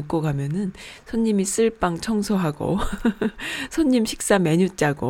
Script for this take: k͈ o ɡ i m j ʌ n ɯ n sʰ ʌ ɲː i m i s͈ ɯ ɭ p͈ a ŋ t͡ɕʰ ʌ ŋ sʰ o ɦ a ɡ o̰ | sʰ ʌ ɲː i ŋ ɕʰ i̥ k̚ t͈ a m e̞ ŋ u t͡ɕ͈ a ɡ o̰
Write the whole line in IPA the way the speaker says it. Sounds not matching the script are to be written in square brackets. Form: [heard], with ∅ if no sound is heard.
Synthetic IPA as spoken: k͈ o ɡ [a] m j ʌ n ɯ n sʰ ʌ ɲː i m i s͈ ɯ ɭ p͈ a ŋ t͡ɕʰ ʌ ŋ sʰ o ɦ a ɡ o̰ | sʰ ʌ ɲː i [m] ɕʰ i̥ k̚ [s͈] a m e̞ [ɲ] u t͡ɕ͈ a ɡ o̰